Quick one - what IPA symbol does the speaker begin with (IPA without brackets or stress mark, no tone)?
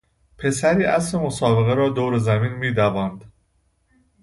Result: pʰ